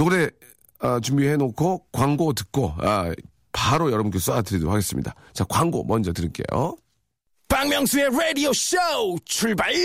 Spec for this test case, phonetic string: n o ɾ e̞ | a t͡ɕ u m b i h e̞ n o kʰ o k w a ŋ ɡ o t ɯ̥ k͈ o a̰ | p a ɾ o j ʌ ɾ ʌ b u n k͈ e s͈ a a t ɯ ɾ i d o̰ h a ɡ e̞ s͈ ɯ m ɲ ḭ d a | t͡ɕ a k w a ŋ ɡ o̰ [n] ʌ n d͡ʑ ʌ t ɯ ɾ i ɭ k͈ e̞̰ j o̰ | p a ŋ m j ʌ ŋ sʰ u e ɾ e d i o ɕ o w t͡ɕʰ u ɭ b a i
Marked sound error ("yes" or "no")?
yes